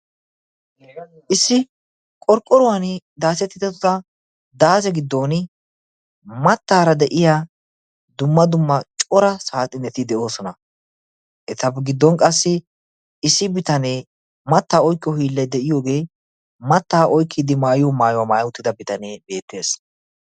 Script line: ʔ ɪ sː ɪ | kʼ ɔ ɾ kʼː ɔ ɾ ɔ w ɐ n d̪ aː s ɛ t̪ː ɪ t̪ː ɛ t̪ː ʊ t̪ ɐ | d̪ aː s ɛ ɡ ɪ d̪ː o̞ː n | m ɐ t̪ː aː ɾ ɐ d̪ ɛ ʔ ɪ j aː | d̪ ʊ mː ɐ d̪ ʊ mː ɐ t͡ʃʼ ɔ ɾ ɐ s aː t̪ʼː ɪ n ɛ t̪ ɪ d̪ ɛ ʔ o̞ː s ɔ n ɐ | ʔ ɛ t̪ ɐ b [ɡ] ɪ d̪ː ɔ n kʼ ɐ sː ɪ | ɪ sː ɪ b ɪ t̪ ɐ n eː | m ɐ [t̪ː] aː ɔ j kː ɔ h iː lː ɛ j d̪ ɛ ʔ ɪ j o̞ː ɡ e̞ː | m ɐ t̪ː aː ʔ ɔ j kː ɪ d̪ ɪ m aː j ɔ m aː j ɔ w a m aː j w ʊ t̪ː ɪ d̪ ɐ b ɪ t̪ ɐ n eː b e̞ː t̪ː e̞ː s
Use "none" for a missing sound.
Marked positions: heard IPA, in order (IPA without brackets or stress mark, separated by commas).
ɡ, t̪ː